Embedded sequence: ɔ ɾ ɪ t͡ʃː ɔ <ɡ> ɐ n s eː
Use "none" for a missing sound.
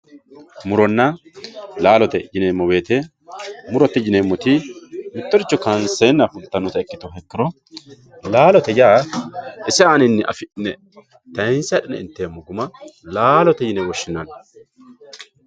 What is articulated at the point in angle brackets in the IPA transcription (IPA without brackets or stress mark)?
k